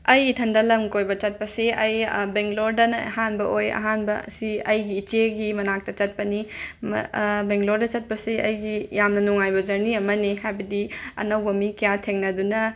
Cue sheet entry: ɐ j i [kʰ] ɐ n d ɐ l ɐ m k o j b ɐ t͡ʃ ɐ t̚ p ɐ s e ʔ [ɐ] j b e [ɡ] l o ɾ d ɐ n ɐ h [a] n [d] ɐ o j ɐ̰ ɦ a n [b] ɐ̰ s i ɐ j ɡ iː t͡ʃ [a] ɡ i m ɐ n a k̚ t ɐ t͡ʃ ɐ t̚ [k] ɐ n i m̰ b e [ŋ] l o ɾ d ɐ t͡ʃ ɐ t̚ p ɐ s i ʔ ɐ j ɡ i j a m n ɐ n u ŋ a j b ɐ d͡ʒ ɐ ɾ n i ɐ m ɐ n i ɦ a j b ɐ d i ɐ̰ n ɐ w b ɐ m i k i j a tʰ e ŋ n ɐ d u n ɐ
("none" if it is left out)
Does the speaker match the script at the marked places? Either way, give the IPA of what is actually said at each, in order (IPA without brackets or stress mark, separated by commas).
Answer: tʰ, ɐ, ŋ, a, b, b, e, p, ŋ